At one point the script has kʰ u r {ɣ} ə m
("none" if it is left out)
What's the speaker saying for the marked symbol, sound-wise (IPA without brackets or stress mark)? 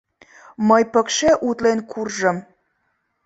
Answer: ʒ